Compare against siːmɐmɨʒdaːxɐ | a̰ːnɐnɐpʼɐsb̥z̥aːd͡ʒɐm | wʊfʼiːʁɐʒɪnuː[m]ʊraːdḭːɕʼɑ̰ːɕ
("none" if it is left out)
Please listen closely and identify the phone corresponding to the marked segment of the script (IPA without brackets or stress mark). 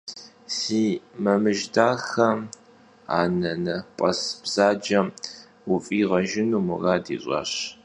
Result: m